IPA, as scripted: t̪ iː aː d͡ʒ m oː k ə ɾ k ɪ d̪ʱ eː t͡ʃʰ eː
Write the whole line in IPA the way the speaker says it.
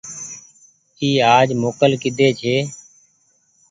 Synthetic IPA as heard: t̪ iː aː d͡ʒ m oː k ə l k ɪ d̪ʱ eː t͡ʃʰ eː